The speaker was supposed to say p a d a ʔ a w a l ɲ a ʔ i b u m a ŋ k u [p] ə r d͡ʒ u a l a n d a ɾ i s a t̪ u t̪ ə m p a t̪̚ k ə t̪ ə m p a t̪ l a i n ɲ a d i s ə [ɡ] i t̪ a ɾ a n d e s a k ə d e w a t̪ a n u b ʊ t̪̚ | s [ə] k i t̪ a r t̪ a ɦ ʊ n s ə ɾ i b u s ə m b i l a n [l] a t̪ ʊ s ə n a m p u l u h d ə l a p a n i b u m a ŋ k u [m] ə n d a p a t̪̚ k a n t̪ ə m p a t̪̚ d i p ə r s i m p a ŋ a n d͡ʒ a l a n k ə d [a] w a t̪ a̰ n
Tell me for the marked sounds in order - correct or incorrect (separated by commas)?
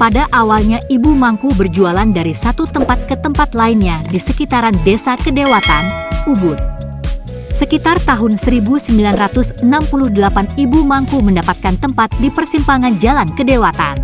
incorrect, incorrect, correct, incorrect, correct, incorrect